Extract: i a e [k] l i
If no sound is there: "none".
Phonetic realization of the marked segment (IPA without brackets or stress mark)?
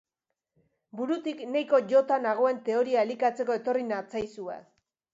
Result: none